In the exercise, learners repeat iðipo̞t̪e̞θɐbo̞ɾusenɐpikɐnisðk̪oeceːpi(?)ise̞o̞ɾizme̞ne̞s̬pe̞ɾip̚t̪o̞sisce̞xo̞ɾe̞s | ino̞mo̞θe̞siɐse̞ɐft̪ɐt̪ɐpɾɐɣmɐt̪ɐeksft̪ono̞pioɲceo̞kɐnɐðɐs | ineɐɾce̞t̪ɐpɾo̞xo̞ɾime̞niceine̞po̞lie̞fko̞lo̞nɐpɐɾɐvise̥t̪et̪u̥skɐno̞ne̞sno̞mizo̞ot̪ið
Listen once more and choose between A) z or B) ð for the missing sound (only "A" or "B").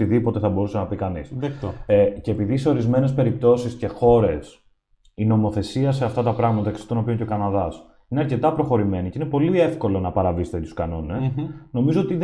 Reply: B